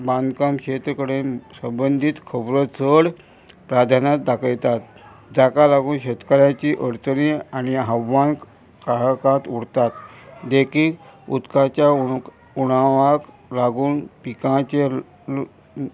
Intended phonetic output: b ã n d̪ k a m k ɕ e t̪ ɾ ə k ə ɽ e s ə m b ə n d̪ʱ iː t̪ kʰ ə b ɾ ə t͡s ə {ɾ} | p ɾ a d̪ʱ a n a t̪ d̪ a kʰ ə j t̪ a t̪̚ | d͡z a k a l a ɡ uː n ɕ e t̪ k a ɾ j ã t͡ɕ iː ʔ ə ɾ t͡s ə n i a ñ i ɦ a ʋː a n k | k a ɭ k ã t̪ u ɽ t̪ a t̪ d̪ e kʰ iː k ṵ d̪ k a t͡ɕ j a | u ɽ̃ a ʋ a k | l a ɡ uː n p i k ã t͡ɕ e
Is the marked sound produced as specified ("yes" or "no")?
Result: no